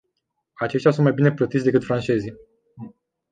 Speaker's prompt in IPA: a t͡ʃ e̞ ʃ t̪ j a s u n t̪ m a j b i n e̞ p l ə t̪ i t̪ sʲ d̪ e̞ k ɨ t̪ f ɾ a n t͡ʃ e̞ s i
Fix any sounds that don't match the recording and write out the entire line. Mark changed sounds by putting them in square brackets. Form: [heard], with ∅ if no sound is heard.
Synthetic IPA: a t͡ʃ e̞ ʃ t̪ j a s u n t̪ m a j b i n e̞ p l ə t̪ i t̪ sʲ d̪ e̞ k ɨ t̪ f ɾ a n t͡ʃ e̞ [z] i